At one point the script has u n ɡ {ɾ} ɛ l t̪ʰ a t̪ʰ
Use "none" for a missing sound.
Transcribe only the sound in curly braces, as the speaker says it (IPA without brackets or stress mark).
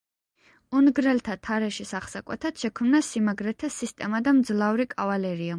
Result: ɾ